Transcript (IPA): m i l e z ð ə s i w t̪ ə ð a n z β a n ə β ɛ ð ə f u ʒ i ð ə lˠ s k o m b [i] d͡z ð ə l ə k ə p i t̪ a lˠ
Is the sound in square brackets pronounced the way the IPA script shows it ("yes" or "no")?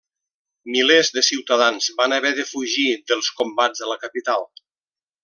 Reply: no